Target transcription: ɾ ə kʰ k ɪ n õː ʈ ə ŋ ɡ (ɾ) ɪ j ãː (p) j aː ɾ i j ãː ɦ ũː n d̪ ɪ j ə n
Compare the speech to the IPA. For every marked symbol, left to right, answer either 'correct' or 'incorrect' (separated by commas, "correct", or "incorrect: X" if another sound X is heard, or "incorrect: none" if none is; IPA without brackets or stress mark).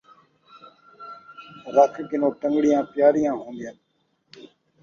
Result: incorrect: ɽ, correct